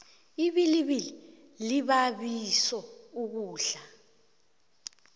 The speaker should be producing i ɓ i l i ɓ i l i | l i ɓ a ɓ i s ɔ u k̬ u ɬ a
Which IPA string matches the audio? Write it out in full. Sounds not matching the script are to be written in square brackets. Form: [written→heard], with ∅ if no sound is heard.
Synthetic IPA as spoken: i ɓ i l i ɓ i l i | l i ɓ a ɓ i s ɔ u k̬ [u→uː] ɬ a